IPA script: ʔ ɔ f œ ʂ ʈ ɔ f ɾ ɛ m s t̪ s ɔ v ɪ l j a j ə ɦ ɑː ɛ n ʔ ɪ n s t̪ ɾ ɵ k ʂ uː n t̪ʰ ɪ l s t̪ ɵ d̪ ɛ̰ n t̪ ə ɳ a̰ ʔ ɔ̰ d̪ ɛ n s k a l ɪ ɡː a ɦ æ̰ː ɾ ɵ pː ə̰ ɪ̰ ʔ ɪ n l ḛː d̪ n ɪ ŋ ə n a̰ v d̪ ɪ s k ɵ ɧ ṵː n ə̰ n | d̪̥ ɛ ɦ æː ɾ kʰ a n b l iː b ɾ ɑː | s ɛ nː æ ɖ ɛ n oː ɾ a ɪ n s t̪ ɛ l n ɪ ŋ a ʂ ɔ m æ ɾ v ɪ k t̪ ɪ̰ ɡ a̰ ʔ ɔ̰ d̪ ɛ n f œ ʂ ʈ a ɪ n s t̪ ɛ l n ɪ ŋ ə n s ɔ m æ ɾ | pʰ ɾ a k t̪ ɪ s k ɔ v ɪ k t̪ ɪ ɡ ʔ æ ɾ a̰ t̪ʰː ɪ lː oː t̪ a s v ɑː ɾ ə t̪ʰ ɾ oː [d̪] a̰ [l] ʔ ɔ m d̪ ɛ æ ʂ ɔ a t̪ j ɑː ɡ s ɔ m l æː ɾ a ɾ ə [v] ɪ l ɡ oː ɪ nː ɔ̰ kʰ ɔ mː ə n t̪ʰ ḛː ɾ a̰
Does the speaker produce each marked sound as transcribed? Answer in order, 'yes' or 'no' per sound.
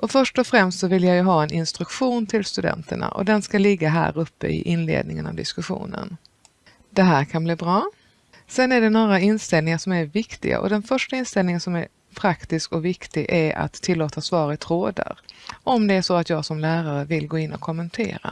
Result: yes, no, yes

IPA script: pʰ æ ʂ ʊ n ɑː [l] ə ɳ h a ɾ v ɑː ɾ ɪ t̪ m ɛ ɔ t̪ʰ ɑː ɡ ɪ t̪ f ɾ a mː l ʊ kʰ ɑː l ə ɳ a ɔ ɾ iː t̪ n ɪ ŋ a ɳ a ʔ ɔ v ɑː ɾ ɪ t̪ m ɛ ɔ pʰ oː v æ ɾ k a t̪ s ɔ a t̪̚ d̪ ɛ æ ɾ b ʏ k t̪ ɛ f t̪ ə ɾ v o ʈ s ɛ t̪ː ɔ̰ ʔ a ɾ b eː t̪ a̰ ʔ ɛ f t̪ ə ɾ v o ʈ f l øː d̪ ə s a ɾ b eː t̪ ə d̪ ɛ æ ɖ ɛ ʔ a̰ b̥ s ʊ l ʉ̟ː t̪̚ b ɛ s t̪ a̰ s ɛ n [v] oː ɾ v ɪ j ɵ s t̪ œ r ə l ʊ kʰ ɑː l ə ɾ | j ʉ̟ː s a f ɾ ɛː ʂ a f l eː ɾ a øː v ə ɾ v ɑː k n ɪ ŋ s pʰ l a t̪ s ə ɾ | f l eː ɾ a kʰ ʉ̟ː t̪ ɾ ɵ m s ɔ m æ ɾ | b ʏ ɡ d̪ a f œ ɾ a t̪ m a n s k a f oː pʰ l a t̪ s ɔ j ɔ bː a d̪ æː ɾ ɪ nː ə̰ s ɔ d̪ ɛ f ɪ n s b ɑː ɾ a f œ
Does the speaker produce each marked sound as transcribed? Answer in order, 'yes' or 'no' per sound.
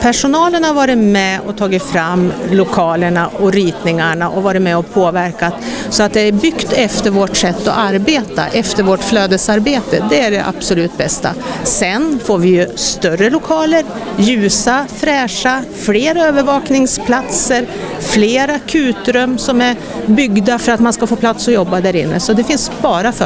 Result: yes, no

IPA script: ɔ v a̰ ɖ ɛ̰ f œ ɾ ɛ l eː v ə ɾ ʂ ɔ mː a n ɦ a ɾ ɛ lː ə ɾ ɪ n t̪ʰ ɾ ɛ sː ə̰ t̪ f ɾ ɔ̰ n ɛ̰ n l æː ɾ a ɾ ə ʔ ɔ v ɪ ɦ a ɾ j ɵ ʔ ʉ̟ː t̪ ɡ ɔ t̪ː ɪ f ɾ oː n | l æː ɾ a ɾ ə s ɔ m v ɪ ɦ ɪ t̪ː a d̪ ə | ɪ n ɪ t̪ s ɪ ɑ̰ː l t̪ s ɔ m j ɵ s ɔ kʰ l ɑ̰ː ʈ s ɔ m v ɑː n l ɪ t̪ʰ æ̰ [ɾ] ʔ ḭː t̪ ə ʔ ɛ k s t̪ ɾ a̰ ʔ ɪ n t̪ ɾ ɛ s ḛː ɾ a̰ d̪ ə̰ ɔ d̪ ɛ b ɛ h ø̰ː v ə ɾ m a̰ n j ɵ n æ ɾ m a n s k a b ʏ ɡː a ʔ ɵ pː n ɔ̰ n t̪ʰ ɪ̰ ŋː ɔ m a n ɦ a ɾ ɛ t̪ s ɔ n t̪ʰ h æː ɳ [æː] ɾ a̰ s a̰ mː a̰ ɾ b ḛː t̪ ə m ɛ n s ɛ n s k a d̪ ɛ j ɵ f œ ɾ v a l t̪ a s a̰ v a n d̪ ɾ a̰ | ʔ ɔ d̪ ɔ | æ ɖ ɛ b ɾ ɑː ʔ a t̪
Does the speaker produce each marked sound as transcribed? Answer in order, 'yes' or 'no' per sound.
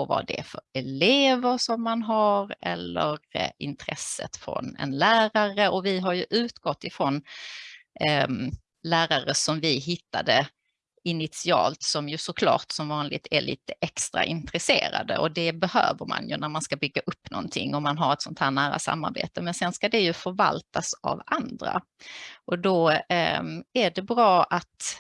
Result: no, yes

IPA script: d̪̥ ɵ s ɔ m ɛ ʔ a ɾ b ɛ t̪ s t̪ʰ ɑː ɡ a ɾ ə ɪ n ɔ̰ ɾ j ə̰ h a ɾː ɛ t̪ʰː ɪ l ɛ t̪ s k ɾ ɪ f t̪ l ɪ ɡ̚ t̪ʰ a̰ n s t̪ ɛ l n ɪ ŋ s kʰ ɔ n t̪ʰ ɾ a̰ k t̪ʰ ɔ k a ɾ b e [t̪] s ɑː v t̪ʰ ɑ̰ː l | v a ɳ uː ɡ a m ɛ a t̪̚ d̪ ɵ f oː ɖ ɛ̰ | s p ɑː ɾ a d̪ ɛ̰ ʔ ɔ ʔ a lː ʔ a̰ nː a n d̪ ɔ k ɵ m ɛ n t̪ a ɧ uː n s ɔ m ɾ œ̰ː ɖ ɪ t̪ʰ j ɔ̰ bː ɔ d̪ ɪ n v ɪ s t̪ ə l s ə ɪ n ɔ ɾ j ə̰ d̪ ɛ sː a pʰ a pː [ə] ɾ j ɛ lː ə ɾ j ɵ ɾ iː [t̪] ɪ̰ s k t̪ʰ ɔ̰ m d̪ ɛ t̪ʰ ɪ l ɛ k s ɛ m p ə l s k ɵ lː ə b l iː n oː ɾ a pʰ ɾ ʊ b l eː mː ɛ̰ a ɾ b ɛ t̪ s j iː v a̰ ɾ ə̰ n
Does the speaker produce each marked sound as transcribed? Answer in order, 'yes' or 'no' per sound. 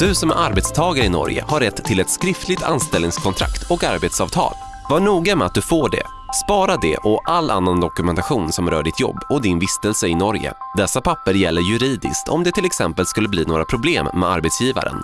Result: yes, yes, no

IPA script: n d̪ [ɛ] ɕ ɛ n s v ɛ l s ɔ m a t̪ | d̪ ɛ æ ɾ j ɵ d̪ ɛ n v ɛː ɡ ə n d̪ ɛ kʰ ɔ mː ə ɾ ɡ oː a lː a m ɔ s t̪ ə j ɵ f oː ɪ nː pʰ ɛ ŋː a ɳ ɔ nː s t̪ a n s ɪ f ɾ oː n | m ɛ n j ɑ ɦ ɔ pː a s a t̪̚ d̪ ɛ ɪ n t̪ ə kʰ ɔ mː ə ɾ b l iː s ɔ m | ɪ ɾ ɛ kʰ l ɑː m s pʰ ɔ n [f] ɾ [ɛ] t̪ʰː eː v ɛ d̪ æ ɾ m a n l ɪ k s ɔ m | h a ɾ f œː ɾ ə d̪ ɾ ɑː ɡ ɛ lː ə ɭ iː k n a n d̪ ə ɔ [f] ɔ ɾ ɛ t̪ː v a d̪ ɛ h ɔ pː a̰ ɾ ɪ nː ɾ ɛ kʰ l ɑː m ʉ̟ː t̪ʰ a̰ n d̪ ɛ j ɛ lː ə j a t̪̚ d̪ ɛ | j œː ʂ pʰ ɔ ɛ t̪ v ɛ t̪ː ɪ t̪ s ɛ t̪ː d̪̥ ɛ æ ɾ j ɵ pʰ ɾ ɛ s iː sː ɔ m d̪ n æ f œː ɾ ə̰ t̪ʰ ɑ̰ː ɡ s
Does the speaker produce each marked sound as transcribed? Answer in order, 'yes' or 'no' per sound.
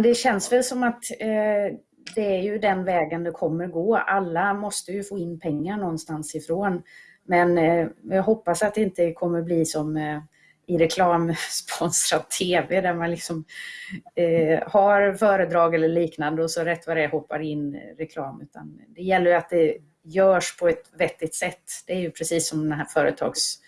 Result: yes, no, no, no

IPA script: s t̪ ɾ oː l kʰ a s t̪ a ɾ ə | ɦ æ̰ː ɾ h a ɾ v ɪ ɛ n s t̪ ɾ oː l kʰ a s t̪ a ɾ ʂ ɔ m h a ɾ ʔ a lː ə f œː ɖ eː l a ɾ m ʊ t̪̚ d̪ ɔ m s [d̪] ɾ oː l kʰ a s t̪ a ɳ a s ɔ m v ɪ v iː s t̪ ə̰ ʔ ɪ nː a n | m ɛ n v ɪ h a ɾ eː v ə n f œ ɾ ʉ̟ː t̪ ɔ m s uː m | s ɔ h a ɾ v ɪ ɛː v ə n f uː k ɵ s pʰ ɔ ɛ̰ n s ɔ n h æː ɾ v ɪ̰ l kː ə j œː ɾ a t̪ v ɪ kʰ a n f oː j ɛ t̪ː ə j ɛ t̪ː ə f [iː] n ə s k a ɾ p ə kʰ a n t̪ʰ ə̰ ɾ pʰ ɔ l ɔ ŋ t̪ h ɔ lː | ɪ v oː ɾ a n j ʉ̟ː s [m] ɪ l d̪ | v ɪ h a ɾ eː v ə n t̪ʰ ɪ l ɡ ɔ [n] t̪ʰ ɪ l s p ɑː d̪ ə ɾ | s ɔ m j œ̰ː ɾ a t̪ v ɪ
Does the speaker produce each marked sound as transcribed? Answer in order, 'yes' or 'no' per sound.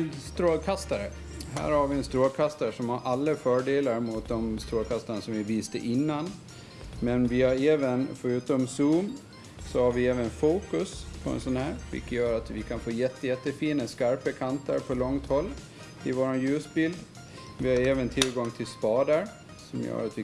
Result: no, yes, no, no

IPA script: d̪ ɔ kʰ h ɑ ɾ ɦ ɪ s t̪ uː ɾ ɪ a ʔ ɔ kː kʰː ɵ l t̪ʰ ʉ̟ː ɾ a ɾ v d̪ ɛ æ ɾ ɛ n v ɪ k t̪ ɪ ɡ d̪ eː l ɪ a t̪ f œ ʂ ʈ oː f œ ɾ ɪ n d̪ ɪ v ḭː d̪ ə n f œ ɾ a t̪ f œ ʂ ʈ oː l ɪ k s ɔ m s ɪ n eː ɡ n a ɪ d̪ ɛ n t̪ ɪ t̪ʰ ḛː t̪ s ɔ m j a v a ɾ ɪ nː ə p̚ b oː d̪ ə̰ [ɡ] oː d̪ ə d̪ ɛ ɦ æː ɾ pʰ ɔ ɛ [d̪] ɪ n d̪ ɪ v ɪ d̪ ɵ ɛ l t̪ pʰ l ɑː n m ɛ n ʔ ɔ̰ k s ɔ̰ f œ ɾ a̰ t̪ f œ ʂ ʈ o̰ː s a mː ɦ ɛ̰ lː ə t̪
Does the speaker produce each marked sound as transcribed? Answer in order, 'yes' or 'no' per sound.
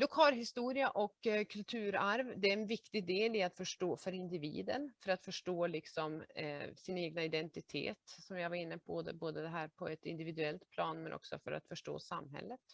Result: no, no

